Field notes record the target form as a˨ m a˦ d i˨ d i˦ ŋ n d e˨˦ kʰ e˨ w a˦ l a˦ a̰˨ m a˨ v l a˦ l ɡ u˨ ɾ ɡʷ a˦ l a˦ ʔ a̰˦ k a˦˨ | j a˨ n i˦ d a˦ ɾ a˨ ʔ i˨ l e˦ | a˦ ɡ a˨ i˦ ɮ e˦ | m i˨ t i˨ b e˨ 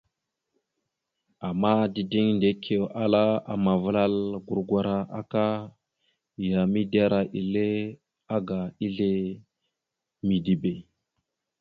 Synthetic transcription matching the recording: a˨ m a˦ d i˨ d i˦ ŋ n d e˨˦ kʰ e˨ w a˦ l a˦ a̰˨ m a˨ v l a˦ l ɡ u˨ ɾ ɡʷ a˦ ɾ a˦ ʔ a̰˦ k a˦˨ | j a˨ m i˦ d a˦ ɾ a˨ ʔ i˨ l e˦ | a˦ ɡ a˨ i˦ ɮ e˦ | m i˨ d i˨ b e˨

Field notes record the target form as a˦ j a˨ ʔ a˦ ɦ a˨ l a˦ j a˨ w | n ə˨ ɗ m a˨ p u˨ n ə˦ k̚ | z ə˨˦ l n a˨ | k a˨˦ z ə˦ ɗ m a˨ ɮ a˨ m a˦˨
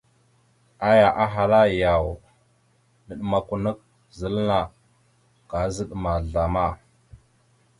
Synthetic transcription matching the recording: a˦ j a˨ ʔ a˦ ɦ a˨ l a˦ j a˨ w | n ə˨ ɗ m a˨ k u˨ n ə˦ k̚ | z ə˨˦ l n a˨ | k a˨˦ z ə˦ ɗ m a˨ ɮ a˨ m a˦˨

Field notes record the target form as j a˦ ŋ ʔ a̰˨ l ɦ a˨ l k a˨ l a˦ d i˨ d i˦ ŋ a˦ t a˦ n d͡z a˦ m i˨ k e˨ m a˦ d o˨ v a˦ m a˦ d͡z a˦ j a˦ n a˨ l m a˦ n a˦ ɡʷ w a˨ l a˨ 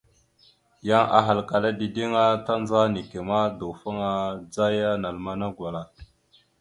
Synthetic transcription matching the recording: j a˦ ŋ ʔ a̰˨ ɦ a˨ l k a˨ l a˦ d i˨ d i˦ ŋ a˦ t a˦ n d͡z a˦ n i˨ k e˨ m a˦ d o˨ f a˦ ŋ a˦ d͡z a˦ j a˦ n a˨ l m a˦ n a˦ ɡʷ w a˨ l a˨

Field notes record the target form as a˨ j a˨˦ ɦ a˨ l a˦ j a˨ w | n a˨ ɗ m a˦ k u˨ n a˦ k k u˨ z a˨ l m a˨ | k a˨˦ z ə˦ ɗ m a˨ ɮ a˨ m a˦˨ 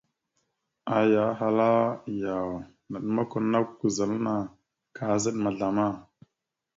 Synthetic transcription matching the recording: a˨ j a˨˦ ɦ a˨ l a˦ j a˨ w | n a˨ ɗ m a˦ k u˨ n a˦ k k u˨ z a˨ l n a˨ | k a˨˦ z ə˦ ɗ m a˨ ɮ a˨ m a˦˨

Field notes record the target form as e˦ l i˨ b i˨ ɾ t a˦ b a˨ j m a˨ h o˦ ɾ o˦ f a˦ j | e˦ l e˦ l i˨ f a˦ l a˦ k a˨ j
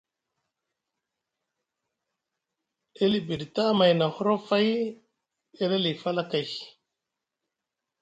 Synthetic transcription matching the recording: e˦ l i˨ b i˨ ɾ t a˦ m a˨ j n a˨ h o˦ ɾ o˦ f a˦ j | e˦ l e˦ l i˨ f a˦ l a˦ k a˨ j

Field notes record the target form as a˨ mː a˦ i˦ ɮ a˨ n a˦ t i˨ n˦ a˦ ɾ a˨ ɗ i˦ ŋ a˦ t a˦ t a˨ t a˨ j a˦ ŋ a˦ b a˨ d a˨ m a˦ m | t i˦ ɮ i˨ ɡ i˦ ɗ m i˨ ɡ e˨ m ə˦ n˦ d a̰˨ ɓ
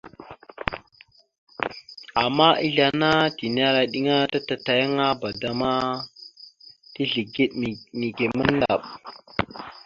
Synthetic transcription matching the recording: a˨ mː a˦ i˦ ɮ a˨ n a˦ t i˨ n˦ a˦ ɾ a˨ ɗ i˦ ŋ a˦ t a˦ t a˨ t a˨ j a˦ ŋ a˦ b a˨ d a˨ m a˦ | t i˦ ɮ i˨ ɡ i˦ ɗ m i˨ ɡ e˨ m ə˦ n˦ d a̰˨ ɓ

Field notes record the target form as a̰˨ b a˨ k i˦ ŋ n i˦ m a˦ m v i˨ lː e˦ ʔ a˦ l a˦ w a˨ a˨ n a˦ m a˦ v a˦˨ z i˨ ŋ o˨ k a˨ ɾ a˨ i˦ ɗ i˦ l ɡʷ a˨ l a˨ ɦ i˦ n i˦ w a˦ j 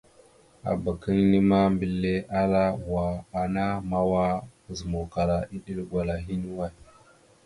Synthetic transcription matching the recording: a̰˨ b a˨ k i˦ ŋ n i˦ m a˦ m b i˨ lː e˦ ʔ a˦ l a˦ w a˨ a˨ n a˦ m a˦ w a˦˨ z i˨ m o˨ k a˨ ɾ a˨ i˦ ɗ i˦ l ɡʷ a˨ l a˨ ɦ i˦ n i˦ w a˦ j

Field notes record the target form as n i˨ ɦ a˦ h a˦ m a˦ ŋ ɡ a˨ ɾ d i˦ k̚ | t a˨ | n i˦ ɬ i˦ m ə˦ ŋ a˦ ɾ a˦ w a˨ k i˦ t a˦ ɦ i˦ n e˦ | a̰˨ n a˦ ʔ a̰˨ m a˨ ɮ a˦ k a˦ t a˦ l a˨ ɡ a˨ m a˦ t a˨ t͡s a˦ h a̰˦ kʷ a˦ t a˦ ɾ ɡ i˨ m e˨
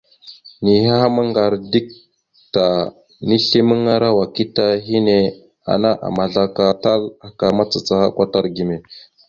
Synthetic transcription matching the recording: n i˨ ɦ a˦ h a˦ m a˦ ŋ ɡ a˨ ɾ d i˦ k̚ | t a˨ | n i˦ ɬ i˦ m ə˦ ŋ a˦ ɾ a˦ w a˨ k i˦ t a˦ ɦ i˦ n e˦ | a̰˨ n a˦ ʔ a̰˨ m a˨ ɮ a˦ k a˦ t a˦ l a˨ k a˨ m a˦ t͡s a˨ t͡s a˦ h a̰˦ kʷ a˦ t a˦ ɾ ɡ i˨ m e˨

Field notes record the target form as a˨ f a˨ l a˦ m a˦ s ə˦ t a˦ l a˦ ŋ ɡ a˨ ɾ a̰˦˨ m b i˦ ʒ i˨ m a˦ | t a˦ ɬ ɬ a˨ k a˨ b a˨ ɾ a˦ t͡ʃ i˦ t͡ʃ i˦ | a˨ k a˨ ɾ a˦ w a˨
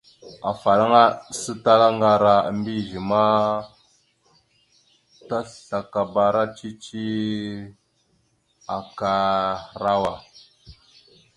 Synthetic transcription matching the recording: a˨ f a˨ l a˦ ŋ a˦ s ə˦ t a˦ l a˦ ŋ ɡ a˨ ɾ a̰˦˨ m b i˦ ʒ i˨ m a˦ | t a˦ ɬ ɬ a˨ k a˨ b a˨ ɾ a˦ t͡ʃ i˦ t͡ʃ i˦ | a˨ k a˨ ɾ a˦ w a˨

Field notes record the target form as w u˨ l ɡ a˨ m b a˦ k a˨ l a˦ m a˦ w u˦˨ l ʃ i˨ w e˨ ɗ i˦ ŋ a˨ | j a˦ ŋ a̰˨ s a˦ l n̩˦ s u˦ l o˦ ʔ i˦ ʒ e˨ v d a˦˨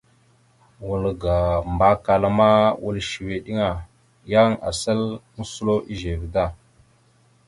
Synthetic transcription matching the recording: w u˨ l ɡ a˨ m b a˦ k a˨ l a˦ m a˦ w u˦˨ l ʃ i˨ w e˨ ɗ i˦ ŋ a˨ | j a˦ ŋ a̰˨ s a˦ l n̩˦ s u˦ l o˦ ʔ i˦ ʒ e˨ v d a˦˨

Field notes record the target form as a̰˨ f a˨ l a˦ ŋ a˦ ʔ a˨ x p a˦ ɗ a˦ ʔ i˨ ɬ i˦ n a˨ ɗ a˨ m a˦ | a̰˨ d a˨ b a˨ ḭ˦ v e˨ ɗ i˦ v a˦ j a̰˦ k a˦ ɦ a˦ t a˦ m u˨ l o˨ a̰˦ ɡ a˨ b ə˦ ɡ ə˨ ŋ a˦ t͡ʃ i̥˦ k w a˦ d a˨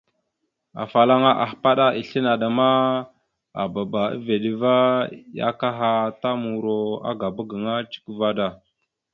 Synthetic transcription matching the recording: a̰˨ f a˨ l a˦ ŋ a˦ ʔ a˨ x p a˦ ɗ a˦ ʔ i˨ ɬ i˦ n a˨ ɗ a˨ m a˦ | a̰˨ b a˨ b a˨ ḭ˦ v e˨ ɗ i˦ v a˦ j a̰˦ k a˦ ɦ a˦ t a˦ m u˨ ɾ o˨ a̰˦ ɡ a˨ b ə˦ ɡ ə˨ ŋ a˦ t͡ʃ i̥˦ k v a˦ d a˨

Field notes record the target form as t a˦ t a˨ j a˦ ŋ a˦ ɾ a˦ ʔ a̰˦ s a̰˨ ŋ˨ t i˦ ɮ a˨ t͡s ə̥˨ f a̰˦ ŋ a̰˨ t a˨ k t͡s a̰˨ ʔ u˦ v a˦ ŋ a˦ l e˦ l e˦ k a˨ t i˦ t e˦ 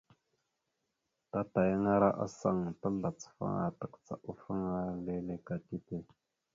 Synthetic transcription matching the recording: t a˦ t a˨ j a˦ ŋ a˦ ɾ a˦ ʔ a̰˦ s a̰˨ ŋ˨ t a˦ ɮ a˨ t͡s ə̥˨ f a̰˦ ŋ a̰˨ t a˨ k t͡s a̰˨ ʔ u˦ f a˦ ŋ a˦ l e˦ l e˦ k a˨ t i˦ t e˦

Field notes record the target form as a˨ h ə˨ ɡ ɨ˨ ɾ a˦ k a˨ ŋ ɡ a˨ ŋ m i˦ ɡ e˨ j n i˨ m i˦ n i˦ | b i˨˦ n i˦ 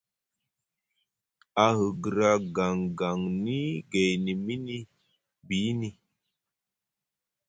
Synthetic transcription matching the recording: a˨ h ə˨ ɡ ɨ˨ ɾ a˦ ɡ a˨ ŋ ɡ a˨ ŋ n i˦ ɡ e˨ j n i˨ m i˦ n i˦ | b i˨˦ n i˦

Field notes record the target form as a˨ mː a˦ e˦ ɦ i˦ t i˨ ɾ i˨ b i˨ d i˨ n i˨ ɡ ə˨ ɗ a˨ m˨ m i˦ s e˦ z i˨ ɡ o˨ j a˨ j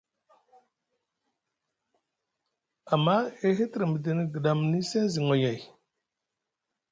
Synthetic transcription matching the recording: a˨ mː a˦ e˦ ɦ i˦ t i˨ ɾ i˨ m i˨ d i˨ n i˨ ɡ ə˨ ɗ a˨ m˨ n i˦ s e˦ z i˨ ŋ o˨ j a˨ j

